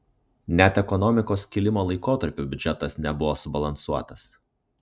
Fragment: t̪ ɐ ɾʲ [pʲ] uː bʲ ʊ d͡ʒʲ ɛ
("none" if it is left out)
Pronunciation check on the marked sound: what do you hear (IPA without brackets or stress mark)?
pʲ